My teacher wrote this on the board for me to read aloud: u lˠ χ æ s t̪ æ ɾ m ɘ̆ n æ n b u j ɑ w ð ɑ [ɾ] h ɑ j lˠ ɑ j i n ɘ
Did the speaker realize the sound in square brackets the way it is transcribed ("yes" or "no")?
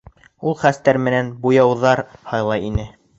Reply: yes